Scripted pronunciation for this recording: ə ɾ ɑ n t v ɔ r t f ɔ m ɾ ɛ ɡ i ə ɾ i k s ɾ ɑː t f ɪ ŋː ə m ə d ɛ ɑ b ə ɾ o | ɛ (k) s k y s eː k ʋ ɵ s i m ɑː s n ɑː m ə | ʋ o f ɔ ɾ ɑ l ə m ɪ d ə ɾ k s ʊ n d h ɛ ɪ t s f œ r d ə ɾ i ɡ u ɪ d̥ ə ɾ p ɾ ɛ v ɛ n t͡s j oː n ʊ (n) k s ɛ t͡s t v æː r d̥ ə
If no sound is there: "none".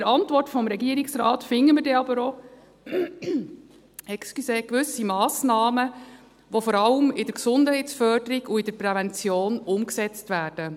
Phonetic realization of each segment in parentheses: k, m

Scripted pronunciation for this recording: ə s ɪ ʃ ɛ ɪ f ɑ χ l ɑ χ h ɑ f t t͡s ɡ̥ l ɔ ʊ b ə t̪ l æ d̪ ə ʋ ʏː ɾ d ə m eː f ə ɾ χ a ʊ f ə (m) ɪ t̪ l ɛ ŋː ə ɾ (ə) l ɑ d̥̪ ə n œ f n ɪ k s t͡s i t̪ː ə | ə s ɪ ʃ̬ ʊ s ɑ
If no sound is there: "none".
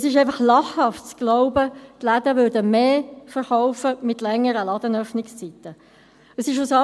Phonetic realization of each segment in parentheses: m, ə

